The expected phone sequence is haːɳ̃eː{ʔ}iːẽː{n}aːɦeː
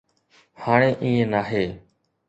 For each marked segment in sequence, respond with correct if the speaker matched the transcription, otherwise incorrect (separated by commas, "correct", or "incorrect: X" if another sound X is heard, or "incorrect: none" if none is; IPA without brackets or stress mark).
correct, correct